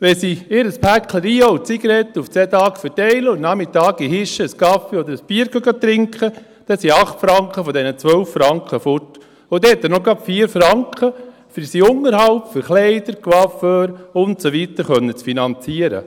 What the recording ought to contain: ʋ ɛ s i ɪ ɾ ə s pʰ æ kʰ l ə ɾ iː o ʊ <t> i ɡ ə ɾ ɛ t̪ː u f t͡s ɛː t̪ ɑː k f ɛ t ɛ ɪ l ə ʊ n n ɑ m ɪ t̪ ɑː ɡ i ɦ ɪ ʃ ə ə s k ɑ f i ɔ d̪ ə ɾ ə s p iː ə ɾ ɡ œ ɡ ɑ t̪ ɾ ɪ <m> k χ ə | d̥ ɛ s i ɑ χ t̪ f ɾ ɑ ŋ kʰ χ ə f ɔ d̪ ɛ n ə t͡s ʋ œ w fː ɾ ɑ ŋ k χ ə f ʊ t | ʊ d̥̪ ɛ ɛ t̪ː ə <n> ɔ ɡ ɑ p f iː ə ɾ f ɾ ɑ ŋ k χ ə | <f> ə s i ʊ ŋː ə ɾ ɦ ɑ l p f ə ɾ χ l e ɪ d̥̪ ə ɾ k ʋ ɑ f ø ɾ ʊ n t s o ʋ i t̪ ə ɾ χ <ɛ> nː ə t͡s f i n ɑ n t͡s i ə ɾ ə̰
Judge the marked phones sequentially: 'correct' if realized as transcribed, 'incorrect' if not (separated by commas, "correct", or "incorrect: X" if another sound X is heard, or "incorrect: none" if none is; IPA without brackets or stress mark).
incorrect: t͡s, incorrect: ŋ, correct, correct, incorrect: œ